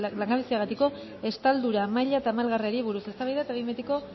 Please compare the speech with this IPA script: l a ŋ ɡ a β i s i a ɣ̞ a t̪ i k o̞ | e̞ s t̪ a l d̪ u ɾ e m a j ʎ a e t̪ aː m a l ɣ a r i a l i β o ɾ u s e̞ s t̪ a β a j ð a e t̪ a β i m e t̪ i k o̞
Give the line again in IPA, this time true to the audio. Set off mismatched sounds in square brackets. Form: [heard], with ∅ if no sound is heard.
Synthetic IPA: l a ŋ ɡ a β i s i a ɣ̞ a t̪ i k o̞ | e̞ s t̪ a l d̪ u ɾ [a] m a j ʎ a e t̪ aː m a l ɣ a r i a [ɾ] i β [u] ɾ u s e̞ s t̪ a β a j ð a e t̪ a β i m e t̪ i k o̞